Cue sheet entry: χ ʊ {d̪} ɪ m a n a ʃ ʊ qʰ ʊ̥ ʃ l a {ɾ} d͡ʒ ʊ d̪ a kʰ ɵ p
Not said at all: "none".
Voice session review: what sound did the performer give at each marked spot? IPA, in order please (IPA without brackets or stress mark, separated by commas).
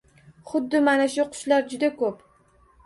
d̪ː, ɾ